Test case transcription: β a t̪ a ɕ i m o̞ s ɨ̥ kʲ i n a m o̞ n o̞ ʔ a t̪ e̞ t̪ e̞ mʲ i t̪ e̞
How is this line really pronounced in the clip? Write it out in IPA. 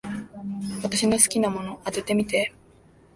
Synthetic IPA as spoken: β a t̪ a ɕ i n o̞ s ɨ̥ kʲ i n a m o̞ n o̞ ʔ a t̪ e̞ t̪ e̞ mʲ i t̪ e̞